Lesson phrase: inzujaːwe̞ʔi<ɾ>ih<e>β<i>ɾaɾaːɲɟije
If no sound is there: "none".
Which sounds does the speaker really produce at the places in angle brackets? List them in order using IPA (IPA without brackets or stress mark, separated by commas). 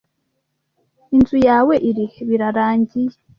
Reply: ɾ, e, i